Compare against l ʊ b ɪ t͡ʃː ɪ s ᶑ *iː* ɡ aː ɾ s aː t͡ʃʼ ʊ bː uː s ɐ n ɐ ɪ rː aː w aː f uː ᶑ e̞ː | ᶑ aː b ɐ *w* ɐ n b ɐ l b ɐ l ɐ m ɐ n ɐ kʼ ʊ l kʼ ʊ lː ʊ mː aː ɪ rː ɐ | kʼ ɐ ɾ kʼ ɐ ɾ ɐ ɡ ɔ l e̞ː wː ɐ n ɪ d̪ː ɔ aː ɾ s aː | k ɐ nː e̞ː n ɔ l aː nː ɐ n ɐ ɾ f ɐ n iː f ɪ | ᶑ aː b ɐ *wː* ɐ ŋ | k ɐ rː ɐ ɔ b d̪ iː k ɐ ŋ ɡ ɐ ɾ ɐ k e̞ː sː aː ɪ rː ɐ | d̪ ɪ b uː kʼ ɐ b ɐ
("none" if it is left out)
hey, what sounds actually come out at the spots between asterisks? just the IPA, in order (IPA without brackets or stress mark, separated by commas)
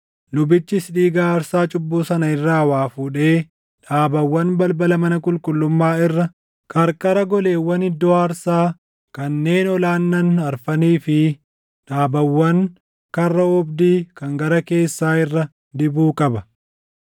iː, wː, wː